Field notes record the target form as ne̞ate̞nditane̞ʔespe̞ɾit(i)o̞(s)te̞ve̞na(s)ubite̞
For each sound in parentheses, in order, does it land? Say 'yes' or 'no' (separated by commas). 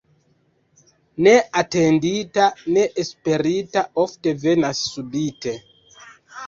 no, no, no